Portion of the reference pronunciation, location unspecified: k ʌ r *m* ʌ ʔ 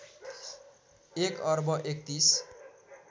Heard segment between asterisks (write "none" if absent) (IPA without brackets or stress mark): b